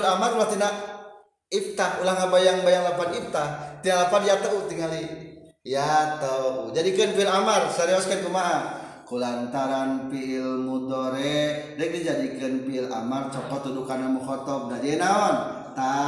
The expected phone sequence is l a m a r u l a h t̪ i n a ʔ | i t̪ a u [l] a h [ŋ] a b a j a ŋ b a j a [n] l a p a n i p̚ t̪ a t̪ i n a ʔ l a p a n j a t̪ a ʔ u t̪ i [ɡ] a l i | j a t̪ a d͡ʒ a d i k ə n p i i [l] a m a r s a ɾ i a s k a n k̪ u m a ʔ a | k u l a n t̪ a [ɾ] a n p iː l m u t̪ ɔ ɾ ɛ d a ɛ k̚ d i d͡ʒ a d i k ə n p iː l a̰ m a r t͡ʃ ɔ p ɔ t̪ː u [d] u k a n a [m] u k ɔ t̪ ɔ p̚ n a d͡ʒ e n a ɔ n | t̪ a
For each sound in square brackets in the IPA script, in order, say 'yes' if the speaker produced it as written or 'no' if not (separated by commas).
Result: yes, yes, no, no, yes, yes, yes, yes